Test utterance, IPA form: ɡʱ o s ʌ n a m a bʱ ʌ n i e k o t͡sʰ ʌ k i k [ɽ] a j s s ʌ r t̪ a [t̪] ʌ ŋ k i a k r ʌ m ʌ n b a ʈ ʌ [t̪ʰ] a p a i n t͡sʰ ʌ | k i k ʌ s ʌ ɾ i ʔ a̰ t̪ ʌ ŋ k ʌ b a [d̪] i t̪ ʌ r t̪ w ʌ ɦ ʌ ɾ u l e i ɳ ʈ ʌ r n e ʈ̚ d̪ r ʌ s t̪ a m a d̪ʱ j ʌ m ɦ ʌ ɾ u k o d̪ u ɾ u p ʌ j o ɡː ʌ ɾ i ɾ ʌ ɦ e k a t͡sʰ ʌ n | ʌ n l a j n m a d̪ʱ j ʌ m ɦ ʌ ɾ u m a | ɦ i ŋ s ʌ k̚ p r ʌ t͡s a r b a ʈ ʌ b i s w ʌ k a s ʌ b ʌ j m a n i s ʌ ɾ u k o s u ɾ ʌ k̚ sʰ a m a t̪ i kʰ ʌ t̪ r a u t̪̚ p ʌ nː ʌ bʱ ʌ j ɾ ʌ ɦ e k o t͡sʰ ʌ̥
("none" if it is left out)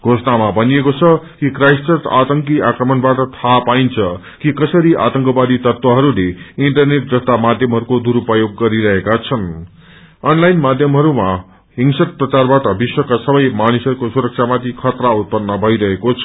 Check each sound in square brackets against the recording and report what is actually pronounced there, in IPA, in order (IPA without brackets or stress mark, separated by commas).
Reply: r, t̪, t̪ʰ, d̪